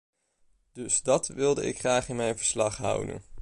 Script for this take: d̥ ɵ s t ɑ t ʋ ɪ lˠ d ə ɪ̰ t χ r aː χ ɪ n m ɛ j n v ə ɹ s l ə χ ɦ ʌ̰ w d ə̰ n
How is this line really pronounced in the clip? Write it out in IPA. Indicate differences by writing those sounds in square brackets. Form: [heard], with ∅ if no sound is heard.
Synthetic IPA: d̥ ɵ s [d] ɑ t ʋ ɪ lˠ d ə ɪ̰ [k] χ r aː χ ɪ n m ɛ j n v ə ɹ s l [ɑ] χ ɦ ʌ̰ w d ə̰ n